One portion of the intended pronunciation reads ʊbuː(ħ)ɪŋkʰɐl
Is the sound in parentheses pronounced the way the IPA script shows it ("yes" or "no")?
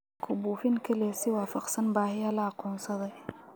no